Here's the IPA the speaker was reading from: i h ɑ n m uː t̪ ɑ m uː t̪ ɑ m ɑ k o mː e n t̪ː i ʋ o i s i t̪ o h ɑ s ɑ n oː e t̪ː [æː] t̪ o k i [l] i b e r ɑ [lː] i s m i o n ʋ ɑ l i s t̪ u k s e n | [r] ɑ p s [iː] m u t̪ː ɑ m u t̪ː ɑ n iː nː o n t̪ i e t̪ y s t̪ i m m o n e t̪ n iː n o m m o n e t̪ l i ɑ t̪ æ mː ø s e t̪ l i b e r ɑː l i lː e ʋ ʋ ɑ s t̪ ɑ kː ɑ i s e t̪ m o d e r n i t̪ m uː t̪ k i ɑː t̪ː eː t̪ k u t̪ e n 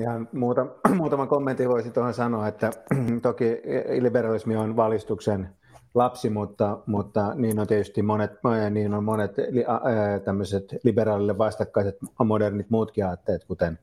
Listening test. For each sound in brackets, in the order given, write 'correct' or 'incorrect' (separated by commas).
incorrect, correct, incorrect, incorrect, incorrect